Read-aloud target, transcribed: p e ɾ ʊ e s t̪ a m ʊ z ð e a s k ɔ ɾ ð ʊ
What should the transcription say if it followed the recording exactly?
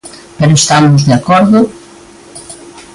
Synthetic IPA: p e ɾ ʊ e s t̪ a m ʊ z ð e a k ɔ ɾ ð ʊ